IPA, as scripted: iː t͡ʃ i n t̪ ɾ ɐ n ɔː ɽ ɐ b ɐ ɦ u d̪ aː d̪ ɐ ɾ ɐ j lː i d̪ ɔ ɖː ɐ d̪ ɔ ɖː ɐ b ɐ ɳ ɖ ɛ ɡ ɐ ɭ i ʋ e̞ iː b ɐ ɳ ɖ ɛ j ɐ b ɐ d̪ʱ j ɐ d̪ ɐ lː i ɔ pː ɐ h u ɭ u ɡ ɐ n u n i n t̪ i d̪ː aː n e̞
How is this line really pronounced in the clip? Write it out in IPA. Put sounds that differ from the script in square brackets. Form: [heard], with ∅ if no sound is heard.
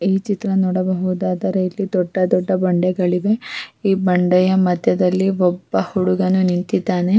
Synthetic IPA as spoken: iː t͡ʃ i [∅] t̪ ɾ ɐ n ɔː ɽ ɐ b ɐ ɦ u d̪ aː d̪ ɐ ɾ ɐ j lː i d̪ ɔ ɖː ɐ d̪ ɔ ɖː ɐ b ɐ ɳ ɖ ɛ ɡ ɐ ɭ i ʋ e̞ iː b ɐ ɳ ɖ ɛ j ɐ [m] ɐ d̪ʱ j ɐ d̪ ɐ lː i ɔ [bː] ɐ h u [ɽ] u ɡ ɐ n u n i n t̪ i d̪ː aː n e̞